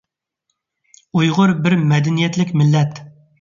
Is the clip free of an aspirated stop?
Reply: yes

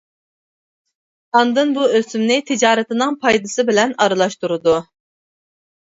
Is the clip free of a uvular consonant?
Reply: yes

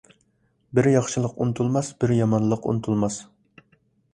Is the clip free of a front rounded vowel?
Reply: yes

